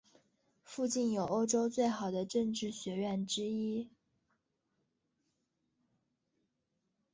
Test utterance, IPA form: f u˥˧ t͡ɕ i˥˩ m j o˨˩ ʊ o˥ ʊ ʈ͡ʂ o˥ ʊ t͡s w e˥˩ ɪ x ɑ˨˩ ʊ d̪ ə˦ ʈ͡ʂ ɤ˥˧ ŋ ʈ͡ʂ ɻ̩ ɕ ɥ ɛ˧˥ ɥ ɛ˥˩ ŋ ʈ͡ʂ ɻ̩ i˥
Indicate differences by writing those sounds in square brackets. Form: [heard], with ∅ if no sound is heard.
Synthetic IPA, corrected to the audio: f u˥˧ t͡ɕ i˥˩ [n] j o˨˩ ʊ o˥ ʊ ʈ͡ʂ o˥ ʊ t͡s w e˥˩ ɪ x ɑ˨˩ ʊ d̪ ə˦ ʈ͡ʂ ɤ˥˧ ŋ ʈ͡ʂ ɻ̩ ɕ ɥ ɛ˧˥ ɥ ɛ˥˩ [n] ʈ͡ʂ ɻ̩ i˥